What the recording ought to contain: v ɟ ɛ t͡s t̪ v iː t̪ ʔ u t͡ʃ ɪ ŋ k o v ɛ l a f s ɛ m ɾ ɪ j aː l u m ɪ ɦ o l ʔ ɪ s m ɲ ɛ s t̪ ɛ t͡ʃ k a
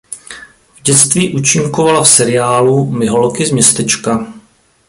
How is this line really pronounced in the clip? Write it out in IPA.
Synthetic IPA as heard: v ɟ ɛ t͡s t̪ v iː ʔ u t͡ʃ ɪ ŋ k o v a l a f s ɛ ɾ ɪ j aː l u m ɪ ɦ o l k ɪ z m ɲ ɛ s t̪ ɛ t͡ʃ k a